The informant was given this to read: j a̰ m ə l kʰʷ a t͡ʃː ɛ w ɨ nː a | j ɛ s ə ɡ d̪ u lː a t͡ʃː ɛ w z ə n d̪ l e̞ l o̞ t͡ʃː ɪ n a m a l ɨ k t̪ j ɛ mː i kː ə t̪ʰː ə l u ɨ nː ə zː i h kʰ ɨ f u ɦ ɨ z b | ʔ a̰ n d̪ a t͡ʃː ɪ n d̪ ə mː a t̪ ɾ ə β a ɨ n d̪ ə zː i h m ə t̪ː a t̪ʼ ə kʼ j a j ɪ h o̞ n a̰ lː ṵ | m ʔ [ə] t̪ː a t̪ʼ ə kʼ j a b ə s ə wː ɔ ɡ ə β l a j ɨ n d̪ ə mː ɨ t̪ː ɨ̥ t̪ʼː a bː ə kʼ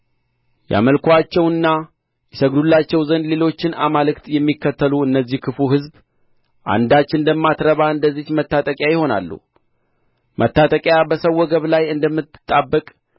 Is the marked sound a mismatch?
no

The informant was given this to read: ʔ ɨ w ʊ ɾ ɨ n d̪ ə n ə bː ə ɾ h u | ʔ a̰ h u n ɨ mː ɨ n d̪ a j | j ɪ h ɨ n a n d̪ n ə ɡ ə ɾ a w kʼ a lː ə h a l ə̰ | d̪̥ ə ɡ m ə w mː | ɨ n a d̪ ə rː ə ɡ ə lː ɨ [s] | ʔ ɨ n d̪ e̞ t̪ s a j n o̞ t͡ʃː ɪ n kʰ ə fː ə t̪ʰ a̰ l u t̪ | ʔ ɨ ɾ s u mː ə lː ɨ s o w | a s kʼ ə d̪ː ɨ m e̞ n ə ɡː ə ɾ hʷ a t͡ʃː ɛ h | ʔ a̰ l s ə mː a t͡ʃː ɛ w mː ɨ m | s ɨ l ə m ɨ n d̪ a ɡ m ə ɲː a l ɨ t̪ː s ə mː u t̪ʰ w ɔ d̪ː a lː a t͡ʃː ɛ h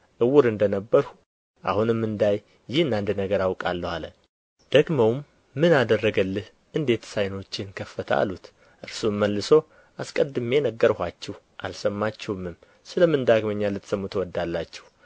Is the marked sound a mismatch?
yes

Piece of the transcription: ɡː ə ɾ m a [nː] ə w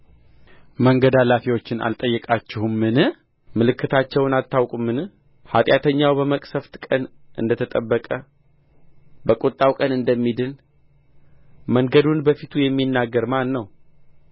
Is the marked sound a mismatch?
no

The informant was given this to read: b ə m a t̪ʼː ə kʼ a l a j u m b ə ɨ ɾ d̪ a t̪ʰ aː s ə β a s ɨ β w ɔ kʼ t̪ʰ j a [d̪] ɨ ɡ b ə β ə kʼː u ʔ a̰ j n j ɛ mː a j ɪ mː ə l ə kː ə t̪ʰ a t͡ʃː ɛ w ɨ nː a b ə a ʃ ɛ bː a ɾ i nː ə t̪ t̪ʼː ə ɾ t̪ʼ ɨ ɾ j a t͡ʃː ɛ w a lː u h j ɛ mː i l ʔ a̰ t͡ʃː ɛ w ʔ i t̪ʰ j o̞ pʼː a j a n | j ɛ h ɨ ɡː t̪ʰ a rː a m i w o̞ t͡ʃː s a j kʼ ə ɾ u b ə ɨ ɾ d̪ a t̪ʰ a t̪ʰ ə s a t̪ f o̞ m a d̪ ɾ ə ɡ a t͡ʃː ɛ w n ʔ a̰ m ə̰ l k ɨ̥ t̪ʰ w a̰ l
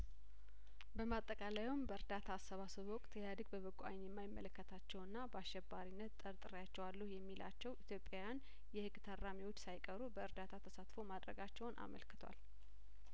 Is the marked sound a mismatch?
no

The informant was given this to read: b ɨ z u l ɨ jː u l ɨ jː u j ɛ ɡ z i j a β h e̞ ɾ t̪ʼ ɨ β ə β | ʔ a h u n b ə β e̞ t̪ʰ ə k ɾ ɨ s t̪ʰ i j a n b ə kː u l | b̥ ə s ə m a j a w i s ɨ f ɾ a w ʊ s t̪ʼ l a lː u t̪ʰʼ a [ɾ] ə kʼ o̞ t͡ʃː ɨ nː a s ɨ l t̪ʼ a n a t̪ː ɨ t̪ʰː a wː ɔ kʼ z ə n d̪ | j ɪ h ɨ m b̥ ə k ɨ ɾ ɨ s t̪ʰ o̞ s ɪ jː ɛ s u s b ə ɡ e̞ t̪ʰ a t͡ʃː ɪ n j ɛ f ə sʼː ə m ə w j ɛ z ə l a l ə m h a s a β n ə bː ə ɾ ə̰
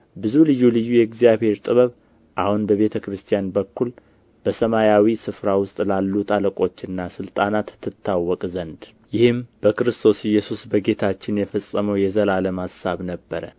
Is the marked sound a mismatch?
yes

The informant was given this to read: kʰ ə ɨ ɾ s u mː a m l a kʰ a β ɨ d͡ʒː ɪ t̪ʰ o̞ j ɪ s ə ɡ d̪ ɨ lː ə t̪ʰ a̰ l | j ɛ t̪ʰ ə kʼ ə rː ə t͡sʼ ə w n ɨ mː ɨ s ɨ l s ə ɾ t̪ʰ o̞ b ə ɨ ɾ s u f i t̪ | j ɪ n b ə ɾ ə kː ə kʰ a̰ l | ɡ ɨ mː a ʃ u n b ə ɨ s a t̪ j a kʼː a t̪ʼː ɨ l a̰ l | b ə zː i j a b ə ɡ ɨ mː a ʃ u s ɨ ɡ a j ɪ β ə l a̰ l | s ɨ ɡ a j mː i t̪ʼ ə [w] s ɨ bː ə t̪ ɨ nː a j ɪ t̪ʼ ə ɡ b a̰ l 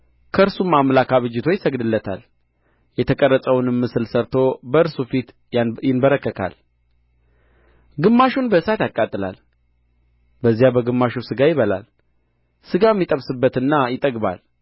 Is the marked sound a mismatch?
yes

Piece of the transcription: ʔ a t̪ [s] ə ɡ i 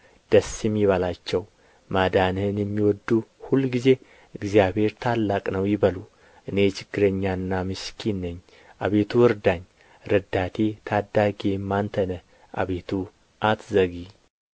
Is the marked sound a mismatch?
yes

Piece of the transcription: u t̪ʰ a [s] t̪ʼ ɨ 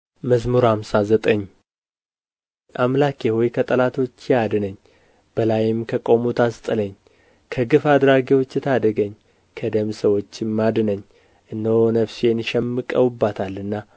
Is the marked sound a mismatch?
no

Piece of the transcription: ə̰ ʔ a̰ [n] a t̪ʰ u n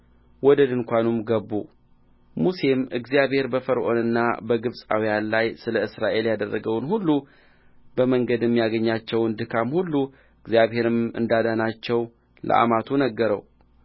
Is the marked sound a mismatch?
yes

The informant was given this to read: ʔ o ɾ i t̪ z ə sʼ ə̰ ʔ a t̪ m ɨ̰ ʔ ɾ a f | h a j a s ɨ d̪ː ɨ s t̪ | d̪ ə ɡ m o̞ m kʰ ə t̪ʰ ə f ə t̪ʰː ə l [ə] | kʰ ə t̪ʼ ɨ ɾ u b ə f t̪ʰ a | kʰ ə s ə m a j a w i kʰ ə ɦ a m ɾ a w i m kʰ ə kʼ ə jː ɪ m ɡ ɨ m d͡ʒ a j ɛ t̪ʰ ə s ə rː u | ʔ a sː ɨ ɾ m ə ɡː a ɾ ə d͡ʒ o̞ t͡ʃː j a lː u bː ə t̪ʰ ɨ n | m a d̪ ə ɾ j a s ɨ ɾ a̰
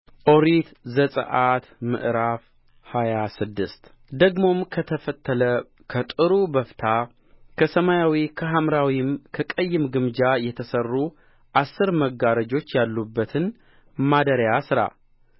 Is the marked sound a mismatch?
no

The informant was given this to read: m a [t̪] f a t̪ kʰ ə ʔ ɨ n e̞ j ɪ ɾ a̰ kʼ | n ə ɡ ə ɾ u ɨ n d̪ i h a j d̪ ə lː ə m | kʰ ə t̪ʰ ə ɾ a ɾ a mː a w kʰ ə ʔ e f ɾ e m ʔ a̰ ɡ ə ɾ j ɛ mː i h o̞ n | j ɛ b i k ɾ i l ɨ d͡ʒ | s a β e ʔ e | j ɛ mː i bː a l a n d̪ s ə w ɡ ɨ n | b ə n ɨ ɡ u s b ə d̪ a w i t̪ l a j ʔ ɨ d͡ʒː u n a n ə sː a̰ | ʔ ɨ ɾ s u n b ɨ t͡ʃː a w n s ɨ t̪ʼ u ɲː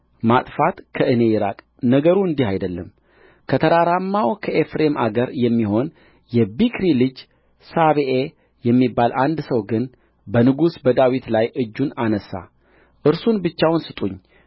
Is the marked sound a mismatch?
yes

